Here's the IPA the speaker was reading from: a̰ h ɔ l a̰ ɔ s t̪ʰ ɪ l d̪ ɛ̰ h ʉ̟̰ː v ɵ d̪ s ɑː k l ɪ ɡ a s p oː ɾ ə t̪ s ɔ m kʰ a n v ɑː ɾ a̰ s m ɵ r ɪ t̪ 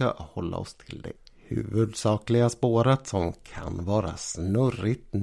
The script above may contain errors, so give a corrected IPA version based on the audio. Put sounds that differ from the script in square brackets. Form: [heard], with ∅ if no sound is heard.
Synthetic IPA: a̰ h ɔ [lː] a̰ ɔ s t̪ʰ ɪ l d̪ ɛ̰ h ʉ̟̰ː v ɵ d̪ s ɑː k l ɪ ɡ a s p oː ɾ ə t̪ s ɔ m kʰ a n v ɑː ɾ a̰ s [n] ɵ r ɪ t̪